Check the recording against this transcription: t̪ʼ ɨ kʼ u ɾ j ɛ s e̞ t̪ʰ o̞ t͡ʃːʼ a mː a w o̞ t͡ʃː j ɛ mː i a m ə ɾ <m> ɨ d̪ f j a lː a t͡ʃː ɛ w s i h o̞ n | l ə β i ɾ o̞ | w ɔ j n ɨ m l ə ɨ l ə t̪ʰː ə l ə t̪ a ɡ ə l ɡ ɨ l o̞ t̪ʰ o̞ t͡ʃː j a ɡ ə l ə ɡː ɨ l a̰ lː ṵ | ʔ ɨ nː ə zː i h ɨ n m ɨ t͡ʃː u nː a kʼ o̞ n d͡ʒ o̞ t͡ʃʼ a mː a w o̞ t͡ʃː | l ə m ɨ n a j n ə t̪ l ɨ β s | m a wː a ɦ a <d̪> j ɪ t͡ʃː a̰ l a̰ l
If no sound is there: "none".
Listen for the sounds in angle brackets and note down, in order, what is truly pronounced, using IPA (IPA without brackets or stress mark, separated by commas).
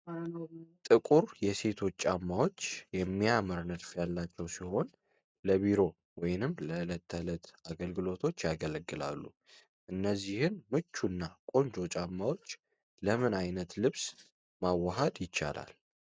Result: n, d̪